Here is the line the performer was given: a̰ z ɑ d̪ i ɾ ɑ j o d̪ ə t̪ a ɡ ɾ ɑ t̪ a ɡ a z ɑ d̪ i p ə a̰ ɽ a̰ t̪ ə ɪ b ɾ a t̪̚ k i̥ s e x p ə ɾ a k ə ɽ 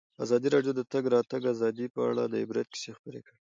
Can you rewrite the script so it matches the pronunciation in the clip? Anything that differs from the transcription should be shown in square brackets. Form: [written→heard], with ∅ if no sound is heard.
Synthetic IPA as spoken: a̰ z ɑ d̪ i ɾ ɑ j o d̪ ə t̪ a ɡ ɾ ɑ t̪ a ɡ a z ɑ d̪ i p ə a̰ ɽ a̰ [t̪→d̪] ə ɪ b ɾ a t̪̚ k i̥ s e x p ə ɾ [a→e] k ə ɽ